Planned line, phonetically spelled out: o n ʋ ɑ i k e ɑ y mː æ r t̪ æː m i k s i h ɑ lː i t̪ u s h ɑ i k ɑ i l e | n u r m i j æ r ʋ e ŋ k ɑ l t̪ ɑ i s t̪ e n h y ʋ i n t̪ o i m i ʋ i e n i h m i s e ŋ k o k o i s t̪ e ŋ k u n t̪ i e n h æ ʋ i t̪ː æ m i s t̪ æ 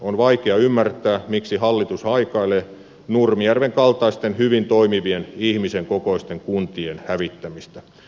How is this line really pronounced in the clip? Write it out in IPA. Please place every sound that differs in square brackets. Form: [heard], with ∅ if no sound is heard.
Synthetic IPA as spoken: o n ʋ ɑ i k e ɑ y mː æ r t̪ æː m i k s i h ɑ lː i t̪ u s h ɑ i k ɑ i l e | n u r m i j æ r ʋ e ŋ k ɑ l t̪ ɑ i s t̪ e n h y ʋ i n t̪ o i m i ʋ i e n i h m i s e ŋ k o k o i s t̪ e ŋ k u n t̪ i e n h æ ʋ i t̪ː æ m i s t̪ æ